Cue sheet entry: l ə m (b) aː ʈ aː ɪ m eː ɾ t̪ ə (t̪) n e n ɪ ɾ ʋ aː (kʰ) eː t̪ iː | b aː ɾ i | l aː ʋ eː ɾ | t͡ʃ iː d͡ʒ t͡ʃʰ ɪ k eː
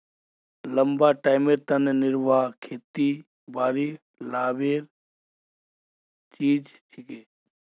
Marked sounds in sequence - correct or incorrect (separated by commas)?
correct, incorrect, correct